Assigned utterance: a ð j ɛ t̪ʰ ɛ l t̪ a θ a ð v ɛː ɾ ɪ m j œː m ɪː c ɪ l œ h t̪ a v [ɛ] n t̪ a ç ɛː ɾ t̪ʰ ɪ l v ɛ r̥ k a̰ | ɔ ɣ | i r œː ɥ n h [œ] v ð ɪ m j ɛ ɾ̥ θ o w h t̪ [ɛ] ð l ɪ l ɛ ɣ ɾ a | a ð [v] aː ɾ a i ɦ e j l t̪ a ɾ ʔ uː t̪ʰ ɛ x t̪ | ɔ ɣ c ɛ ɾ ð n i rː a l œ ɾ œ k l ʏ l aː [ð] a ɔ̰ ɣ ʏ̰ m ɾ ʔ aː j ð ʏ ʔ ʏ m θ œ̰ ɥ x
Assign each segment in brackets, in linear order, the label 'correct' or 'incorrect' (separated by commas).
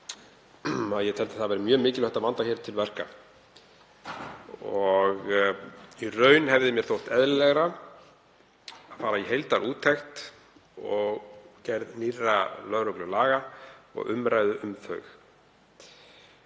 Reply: incorrect, incorrect, correct, incorrect, incorrect